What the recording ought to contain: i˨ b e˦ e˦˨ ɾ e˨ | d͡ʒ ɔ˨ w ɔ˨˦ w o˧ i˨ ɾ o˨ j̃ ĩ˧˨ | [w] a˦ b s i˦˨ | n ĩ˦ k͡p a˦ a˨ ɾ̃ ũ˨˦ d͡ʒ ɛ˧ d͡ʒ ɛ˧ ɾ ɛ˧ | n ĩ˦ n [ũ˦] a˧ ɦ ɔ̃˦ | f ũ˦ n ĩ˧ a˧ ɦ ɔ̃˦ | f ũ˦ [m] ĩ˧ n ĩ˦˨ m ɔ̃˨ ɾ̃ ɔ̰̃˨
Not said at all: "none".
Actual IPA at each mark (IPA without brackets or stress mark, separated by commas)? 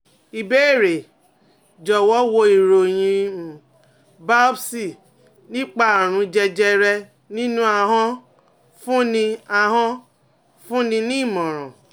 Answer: b, ũ˦, n